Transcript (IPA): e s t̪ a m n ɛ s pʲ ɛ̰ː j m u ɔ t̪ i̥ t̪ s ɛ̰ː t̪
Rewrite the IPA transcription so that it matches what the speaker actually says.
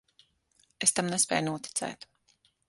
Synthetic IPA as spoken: e s t̪ a m n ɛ s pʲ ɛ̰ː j n u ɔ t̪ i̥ t̪ s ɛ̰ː t̪